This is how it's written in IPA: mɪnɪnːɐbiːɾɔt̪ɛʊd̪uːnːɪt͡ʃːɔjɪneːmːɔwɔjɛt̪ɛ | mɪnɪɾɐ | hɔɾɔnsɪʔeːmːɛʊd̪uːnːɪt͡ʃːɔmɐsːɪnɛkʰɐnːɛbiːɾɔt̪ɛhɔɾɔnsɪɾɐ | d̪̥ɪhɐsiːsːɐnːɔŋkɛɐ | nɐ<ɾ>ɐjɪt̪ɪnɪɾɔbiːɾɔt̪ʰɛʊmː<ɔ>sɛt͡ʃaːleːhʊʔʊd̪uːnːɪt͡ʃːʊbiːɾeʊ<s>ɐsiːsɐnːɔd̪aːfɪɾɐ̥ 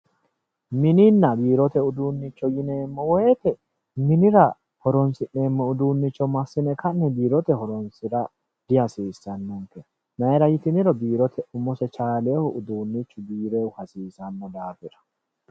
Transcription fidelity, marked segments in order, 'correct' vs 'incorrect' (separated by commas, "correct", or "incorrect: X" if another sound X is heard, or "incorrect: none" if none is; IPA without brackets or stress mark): correct, correct, incorrect: h